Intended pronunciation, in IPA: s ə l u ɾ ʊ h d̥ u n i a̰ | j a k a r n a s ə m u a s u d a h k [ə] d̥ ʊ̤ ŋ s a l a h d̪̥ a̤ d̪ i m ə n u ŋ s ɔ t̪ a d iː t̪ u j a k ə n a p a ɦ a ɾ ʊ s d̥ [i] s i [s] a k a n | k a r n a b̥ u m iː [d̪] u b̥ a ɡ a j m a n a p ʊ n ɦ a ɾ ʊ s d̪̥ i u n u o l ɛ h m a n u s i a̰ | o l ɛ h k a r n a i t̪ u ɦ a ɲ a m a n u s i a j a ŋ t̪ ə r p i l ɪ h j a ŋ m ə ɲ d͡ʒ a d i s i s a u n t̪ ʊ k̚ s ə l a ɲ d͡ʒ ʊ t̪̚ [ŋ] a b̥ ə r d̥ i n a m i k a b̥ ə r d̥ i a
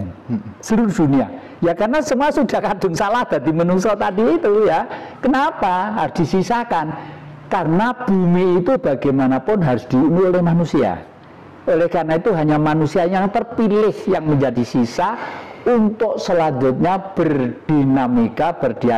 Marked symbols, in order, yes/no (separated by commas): no, yes, yes, no, no